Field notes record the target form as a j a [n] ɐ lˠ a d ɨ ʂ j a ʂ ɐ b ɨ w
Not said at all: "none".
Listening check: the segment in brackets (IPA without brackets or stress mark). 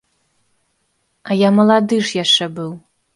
m